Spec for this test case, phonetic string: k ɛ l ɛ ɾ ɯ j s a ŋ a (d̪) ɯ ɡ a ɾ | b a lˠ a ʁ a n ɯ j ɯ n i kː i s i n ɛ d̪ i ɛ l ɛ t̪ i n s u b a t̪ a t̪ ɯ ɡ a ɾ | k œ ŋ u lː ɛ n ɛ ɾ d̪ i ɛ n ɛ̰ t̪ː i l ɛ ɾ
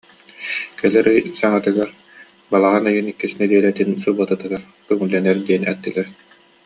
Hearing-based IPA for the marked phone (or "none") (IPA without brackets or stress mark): t̪